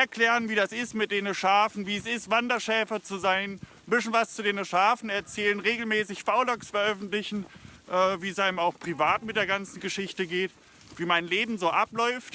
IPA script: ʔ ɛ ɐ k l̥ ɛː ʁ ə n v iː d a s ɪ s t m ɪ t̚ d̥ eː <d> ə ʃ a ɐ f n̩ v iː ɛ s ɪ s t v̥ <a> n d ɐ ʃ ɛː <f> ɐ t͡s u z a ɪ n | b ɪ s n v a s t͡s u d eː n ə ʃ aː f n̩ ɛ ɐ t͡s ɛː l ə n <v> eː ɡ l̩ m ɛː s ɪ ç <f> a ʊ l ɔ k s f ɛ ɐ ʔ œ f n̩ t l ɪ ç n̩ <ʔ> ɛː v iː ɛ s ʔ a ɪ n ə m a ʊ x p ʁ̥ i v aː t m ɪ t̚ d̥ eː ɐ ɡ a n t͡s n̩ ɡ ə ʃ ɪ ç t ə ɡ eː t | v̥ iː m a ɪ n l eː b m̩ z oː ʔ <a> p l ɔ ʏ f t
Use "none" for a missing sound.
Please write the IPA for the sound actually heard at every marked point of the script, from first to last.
n, a, f, ʁ, f, ʔ, a

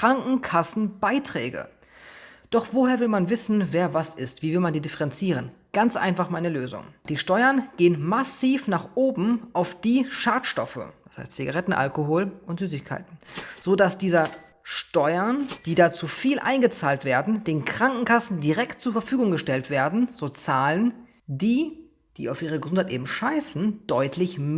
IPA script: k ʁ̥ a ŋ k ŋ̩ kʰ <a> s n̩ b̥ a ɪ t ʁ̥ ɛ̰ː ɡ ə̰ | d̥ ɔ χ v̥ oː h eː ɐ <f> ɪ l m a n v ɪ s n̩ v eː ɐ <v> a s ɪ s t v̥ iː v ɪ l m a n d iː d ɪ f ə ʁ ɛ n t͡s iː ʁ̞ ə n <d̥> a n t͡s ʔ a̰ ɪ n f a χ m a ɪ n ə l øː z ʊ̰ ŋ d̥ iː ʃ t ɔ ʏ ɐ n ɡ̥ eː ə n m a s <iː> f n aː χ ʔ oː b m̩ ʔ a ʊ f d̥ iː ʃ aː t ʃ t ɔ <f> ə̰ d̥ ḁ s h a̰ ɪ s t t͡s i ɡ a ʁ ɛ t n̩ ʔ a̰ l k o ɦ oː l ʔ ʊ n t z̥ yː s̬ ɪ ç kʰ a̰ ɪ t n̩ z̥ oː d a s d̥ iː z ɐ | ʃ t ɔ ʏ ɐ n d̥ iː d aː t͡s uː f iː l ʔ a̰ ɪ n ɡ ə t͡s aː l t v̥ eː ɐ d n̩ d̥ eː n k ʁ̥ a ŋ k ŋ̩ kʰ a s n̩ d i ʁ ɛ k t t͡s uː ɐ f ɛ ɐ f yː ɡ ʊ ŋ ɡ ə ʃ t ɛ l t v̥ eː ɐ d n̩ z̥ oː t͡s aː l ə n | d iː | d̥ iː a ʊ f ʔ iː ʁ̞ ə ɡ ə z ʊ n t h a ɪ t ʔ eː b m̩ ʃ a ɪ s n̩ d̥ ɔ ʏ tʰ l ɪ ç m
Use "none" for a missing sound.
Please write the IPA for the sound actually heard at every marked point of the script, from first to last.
a, v, v, ɡ̥, iː, f

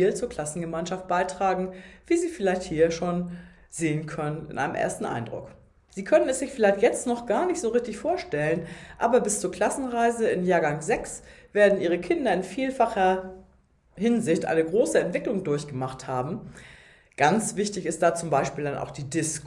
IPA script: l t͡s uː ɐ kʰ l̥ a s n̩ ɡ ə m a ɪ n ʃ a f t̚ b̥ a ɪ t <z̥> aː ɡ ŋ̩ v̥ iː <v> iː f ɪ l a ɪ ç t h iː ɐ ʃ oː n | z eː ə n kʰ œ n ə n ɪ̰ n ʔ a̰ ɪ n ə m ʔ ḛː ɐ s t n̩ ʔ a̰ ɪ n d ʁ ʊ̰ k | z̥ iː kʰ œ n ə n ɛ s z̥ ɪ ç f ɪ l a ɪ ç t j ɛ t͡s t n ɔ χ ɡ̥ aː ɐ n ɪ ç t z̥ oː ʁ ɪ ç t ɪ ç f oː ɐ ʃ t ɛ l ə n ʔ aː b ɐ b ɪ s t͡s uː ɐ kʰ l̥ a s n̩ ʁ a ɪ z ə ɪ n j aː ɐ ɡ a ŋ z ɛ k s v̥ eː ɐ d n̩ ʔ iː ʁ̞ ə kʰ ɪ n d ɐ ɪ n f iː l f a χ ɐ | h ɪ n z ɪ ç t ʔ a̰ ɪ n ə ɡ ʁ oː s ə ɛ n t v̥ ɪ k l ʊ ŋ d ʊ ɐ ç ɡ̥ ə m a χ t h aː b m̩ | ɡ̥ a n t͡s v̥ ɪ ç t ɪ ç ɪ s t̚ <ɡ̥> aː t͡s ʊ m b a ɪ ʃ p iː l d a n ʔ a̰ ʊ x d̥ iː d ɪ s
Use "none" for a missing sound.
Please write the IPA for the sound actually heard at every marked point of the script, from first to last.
ʁ̥, z, d̥

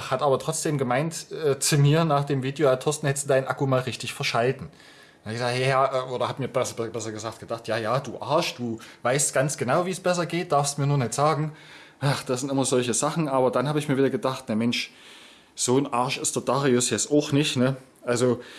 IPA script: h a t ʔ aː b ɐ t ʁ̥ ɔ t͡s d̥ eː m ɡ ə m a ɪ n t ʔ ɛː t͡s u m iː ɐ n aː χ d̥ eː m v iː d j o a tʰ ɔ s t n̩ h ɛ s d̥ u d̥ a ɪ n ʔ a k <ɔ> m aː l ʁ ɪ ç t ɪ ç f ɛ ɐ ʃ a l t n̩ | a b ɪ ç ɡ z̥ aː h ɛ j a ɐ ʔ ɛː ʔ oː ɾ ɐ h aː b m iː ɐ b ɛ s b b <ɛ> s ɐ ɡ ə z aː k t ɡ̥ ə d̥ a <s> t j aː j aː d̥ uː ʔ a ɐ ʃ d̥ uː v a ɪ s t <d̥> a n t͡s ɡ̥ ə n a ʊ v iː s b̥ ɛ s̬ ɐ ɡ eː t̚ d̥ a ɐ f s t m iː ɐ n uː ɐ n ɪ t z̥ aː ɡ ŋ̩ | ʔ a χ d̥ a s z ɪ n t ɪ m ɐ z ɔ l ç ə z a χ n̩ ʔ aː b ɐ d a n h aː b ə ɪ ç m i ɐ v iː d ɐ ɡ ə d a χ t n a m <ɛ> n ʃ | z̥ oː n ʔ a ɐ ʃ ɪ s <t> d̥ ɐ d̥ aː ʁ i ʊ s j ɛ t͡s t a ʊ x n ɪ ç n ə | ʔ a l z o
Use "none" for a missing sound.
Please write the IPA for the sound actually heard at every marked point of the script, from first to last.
u, ɛ, χ, ɡ̥, ɛ, t

